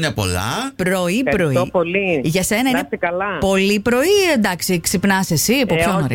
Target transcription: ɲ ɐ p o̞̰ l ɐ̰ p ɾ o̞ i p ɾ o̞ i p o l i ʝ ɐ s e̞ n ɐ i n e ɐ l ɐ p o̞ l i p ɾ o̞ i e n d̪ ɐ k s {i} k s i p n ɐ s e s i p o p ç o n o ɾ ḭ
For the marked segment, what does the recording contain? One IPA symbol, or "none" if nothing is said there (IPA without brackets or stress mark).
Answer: i